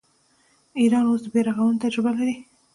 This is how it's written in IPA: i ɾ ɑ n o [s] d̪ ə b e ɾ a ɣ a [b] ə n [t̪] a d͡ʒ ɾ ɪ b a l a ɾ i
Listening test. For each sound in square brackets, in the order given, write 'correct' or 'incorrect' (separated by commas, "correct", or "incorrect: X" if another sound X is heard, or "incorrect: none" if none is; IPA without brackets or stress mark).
correct, incorrect: w, correct